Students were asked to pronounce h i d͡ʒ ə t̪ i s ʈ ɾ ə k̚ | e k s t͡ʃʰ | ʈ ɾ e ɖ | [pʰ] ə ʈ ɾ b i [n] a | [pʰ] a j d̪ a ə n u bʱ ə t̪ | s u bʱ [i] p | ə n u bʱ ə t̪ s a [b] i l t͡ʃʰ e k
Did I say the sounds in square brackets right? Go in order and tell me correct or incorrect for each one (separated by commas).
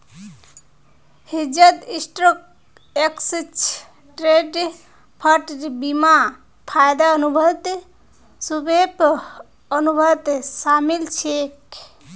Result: correct, incorrect, correct, incorrect, incorrect